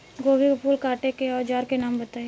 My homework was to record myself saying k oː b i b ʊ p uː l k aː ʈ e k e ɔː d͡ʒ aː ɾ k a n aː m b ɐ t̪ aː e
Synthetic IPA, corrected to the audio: ɡ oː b i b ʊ p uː l k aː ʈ e k e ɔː d͡ʒ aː ɾ k e n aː m b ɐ t̪ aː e